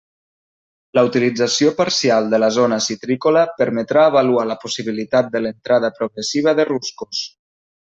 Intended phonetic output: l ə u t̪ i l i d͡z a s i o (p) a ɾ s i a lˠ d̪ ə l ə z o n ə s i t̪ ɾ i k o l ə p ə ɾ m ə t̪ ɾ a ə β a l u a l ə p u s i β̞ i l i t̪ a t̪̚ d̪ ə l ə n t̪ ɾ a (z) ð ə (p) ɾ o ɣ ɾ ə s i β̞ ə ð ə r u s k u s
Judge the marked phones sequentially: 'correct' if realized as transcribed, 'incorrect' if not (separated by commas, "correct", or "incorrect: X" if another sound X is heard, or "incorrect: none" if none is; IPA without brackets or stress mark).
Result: correct, incorrect: none, correct